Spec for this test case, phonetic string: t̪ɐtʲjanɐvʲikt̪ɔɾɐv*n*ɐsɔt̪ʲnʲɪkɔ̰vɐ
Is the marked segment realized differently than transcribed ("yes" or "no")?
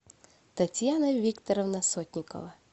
no